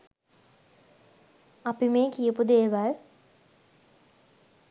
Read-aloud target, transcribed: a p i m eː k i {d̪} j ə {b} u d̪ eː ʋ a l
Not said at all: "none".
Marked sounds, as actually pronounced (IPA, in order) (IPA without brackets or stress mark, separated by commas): none, p